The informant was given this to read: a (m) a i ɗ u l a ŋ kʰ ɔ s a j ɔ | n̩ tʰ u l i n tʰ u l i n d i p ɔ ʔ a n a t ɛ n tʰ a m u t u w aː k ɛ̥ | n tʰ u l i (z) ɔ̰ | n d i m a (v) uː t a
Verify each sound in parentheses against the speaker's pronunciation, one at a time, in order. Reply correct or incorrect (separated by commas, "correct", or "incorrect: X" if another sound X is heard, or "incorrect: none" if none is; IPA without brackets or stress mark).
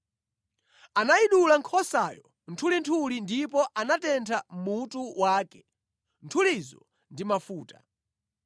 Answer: incorrect: n, correct, incorrect: f